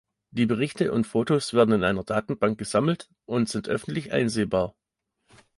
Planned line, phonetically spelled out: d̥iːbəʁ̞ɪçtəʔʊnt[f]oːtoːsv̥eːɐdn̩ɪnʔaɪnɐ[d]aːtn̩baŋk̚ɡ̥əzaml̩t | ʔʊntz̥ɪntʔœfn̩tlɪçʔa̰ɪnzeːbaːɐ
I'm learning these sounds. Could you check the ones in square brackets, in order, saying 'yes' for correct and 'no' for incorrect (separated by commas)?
yes, yes